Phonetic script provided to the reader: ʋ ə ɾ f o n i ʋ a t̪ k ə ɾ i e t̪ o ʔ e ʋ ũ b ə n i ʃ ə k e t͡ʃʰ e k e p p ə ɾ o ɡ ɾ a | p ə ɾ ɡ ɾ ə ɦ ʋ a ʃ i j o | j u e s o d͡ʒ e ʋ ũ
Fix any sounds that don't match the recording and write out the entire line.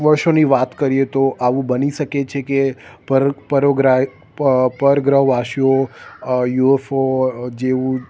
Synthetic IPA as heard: ʋ ə ɾ ʃ o n i ʋ a t̪ k ə ɾ i e t̪ o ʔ a ʋ ũ b ə n i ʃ ə k e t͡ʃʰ e k e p p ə ɾ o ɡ ɾ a | p ə ɾ ɡ ɾ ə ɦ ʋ a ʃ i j o | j u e f o d͡ʒ e ʋ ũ